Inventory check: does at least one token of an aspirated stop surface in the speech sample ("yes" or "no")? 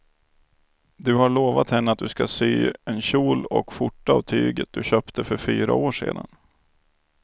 yes